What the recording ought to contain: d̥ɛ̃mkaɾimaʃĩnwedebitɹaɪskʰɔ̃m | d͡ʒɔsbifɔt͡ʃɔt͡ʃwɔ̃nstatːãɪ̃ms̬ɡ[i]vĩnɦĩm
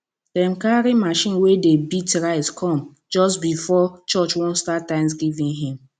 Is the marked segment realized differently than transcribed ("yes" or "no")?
no